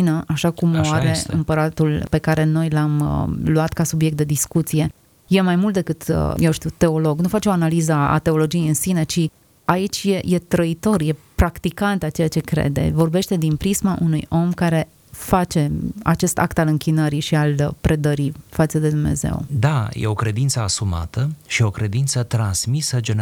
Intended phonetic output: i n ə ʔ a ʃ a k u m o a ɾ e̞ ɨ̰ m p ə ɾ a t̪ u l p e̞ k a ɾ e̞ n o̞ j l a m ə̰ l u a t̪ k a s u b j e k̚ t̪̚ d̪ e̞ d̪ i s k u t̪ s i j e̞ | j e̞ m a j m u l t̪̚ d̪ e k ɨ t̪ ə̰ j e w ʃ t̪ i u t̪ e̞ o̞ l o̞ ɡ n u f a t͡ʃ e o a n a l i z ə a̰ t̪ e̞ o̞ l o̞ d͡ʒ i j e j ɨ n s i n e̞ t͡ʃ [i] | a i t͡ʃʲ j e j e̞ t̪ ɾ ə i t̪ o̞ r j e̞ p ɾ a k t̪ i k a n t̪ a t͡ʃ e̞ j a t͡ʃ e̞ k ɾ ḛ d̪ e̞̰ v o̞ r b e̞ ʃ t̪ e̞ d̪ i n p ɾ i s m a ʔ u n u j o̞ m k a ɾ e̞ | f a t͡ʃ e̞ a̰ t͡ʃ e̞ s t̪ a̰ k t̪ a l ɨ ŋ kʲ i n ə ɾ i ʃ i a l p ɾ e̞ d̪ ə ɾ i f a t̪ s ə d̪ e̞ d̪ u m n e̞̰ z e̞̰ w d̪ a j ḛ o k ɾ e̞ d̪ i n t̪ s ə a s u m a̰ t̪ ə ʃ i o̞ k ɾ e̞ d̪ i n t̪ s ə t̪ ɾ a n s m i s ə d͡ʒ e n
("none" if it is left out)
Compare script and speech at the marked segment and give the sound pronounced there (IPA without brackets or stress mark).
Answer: i